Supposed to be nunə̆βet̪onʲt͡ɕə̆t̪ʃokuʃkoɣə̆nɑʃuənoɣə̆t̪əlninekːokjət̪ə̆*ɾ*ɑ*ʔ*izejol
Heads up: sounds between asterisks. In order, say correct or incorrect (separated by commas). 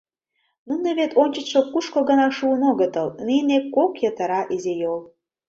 correct, correct